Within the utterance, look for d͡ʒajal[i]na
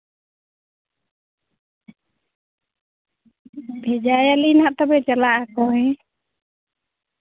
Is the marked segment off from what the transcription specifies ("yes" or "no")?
no